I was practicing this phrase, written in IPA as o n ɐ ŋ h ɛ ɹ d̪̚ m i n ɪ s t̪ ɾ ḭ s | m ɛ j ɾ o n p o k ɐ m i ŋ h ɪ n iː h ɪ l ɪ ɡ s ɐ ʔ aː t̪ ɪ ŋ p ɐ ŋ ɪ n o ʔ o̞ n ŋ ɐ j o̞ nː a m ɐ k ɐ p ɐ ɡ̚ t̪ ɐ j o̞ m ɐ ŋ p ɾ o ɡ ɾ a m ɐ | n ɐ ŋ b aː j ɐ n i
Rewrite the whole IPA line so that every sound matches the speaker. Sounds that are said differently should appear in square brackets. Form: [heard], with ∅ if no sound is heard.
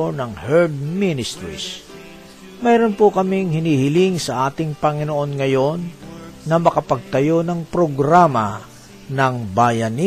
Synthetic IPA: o n ɐ ŋ h ɛ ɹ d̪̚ m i n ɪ s t̪ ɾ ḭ s | m ɛ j ɾ o n p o k ɐ m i ŋ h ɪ n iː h ɪ l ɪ [ŋ] s ɐ ʔ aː t̪ ɪ ŋ p ɐ ŋ ɪ n o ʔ o̞ n ŋ ɐ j o̞ nː [ɐ] m ɐ k ɐ p ɐ ɡ̚ t̪ ɐ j o̞ [n] ɐ ŋ p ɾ o ɡ ɾ a m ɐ | n ɐ ŋ b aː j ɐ n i